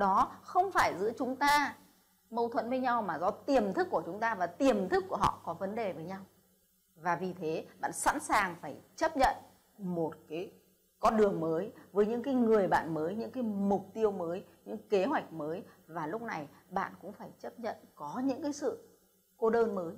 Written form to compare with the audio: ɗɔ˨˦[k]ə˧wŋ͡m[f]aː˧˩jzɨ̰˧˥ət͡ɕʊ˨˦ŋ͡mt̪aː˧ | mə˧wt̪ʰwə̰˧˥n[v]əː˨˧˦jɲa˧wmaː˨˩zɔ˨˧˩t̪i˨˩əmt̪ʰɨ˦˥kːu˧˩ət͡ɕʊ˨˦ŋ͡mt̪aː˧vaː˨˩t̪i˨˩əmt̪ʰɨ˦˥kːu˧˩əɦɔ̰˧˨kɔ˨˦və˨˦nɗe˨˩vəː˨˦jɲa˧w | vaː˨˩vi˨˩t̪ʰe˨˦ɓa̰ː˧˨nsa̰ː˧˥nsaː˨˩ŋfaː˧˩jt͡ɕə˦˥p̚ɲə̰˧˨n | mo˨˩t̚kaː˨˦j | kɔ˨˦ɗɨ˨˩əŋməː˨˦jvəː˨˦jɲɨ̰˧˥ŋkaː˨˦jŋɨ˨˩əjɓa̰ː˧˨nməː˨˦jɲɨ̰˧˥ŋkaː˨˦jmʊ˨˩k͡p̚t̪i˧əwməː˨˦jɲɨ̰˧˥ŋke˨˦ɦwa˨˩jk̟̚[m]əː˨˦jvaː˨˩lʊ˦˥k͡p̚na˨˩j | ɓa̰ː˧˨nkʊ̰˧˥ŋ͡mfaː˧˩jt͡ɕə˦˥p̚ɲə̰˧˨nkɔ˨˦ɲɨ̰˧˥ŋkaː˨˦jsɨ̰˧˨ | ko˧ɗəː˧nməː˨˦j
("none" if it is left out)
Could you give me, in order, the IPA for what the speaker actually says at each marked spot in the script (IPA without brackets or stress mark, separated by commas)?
x, f, v, m